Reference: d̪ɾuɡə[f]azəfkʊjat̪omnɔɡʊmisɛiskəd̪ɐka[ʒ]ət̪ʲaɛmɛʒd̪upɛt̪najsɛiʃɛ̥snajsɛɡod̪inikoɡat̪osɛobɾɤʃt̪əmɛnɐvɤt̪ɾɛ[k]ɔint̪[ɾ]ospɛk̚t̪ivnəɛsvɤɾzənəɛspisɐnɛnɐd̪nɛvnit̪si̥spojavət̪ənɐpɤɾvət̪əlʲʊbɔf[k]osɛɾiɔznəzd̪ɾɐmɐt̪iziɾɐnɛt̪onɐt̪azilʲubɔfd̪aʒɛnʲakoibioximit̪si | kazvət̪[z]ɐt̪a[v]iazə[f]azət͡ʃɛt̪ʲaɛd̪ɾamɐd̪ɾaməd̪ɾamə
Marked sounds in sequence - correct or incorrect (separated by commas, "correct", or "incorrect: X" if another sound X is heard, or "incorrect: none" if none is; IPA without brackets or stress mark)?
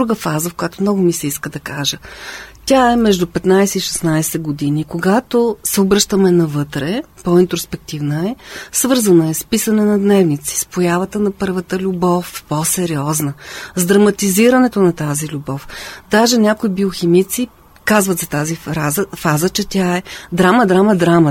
correct, correct, incorrect: p, correct, incorrect: p, correct, incorrect: z, correct